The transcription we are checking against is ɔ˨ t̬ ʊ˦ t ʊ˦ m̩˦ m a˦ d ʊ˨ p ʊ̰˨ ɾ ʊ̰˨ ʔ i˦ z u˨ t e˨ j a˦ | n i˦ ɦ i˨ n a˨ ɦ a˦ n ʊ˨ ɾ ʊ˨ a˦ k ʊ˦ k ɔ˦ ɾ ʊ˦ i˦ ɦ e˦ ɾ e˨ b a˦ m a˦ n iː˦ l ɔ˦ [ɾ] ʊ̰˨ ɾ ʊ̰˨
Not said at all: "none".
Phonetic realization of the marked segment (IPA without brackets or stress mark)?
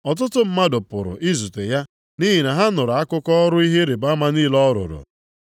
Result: ɾ